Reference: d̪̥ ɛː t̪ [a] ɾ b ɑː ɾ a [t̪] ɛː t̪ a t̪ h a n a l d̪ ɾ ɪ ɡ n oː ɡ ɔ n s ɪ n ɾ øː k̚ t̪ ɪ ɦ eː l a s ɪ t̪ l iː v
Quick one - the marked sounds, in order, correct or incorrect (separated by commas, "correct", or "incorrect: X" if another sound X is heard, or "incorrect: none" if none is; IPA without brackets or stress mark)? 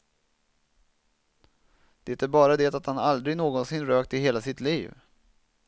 incorrect: æ, incorrect: d̪